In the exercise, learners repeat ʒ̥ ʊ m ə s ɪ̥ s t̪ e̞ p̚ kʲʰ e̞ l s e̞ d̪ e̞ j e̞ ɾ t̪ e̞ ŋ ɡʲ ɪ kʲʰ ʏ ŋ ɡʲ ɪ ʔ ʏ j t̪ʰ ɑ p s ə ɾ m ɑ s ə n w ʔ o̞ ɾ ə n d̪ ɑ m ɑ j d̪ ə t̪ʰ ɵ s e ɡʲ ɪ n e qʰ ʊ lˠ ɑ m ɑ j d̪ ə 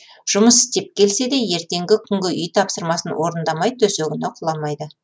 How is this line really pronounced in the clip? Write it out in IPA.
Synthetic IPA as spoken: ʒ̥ ʊ m ə s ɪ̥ s t̪ e̞ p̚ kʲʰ e̞ l s e̞ d̪ e̞ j e̞ ɾ t̪ e̞ ŋ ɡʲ ɪ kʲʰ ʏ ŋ ɡʲ ɪ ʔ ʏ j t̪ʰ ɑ p s ə ɾ m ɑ s ə n w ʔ o̞ ɾ ə n d̪ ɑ m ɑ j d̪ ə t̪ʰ ɵ s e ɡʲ ɪ n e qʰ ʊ lˠ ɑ m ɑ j d̪ ə